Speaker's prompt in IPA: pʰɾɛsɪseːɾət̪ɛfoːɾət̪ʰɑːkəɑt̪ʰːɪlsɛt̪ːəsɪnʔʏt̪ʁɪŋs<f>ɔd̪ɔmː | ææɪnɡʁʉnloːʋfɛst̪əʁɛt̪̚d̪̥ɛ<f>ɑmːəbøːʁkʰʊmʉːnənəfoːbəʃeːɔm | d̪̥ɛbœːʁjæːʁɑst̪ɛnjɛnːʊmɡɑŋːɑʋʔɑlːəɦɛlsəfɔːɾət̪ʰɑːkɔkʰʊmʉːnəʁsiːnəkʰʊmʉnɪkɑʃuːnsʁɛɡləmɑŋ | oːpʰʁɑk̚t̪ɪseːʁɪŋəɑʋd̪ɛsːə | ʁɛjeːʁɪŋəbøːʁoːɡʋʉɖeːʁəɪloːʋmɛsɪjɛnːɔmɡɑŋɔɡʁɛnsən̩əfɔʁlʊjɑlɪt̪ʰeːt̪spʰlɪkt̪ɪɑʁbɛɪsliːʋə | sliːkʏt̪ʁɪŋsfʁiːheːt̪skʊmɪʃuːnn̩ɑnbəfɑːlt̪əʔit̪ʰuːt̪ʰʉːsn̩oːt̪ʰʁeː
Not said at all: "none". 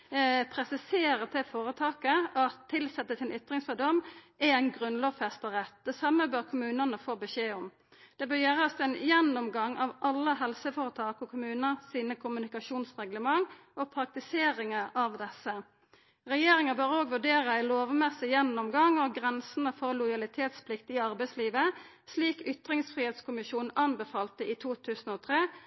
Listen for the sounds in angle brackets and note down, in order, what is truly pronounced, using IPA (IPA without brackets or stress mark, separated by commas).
f, s